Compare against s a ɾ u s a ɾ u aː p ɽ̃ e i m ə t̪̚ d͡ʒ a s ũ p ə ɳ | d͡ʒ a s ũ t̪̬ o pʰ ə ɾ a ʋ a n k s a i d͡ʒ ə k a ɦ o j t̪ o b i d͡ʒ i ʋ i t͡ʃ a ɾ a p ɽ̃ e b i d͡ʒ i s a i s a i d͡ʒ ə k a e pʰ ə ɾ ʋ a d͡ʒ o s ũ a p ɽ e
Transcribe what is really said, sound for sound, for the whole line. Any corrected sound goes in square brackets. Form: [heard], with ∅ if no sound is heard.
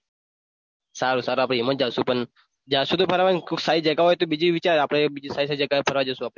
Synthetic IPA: s a ɾ u s a ɾ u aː p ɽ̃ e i m ə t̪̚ d͡ʒ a s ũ p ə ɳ | d͡ʒ a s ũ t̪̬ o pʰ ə ɾ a ʋ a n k s a i d͡ʒ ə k a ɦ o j t̪ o b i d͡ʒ i ʋ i t͡ʃ a ɾ a p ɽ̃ e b i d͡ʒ i s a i s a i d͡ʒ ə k a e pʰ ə ɾ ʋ a d͡ʒ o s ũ a p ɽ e